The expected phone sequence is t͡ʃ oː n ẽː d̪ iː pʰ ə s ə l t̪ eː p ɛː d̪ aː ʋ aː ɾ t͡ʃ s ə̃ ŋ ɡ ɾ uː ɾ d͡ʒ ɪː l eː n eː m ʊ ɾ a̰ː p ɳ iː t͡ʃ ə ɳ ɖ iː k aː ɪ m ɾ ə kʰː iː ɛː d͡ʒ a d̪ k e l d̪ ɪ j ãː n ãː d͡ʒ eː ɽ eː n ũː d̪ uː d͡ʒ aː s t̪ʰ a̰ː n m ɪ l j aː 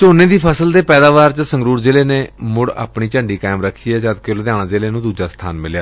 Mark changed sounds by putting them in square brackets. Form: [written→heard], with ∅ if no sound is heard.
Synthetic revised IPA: t͡ʃ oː n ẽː d̪ iː pʰ ə s ə l [t̪→d̪] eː p ɛː d̪ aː ʋ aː ɾ t͡ʃ s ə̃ ŋ ɡ ɾ uː ɾ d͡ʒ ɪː l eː n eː m ʊ [ɾ→ɽ] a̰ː p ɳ iː t͡ʃ ə ɳ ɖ iː k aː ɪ m ɾ ə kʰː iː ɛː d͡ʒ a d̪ k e l d̪ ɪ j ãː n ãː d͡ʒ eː [ɽ→l] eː n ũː d̪ uː d͡ʒ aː s t̪ʰ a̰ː n m ɪ l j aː